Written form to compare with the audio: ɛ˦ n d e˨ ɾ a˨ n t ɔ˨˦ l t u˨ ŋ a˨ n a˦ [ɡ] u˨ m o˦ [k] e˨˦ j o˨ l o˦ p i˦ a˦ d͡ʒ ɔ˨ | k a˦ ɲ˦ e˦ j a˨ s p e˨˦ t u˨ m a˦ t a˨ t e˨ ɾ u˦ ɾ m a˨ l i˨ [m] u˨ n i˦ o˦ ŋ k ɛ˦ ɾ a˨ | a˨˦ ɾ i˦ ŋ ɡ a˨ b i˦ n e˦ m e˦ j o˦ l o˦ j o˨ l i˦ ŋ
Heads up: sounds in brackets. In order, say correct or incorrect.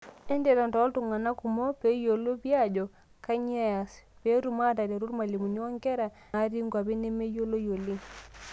incorrect, incorrect, correct

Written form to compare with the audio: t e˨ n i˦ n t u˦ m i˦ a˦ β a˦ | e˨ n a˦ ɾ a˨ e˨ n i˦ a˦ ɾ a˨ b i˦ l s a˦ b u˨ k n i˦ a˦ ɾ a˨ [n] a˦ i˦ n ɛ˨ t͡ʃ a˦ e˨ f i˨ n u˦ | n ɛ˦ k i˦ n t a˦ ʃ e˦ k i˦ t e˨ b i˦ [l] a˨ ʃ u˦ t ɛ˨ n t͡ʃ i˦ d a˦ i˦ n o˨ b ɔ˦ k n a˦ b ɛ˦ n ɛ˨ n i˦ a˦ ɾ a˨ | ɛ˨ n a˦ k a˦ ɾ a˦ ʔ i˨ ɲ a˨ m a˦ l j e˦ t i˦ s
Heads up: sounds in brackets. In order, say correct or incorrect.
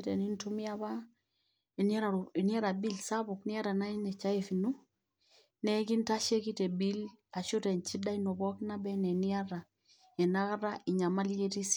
correct, correct

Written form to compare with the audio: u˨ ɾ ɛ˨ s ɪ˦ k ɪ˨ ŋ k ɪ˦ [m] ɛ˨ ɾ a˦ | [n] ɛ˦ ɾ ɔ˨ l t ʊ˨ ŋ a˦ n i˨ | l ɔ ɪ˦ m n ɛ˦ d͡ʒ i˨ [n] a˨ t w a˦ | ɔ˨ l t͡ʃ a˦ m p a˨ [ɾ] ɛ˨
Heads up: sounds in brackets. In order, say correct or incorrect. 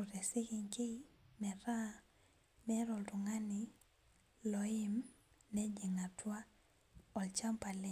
correct, incorrect, incorrect, incorrect

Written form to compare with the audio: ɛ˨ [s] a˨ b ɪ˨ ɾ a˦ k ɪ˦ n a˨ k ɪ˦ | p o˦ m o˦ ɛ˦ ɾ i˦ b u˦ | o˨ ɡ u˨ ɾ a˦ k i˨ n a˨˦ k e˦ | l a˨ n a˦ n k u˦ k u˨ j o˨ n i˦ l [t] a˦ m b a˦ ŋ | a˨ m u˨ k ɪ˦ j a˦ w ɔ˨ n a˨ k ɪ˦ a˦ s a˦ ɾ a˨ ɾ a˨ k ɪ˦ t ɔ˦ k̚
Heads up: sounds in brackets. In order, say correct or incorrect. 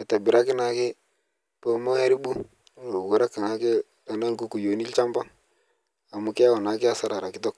incorrect, incorrect

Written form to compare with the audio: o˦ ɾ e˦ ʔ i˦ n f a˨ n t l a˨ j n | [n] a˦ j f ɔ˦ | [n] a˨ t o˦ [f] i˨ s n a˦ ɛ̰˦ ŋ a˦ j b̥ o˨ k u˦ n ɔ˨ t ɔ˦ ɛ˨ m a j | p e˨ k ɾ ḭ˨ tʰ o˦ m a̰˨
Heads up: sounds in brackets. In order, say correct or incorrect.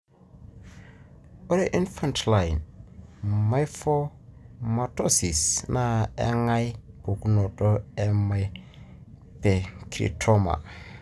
incorrect, incorrect, incorrect

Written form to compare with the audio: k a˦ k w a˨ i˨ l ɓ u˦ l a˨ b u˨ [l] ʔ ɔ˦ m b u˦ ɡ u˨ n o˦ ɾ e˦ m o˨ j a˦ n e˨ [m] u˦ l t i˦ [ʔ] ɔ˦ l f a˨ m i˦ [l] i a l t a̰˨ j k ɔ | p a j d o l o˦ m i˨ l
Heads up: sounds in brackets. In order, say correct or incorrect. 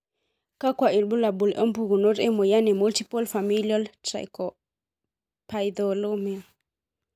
correct, correct, incorrect, correct

